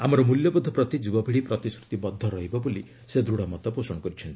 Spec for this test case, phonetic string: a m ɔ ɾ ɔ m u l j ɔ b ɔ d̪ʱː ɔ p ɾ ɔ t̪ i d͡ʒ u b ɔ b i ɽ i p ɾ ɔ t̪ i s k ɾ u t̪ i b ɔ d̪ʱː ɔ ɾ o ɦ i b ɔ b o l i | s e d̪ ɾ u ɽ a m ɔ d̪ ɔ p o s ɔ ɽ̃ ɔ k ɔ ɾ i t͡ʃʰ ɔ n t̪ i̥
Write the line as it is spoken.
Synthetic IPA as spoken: a m ɔ ɾ ɔ m u l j ɔ b ɔ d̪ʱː ɔ p ɾ ɔ t̪ i d͡ʒ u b ɔ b i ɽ i p ɾ ɔ t̪ i s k ɾ u t̪ i b ɔ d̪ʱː ɔ ɾ ɔ ɦ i b ɔ b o l i | s e d̪ ɾ u ɽ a m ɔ t̪ ɔ p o s ɔ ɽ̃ ɔ k ɔ ɾ i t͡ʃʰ ɔ n t̪ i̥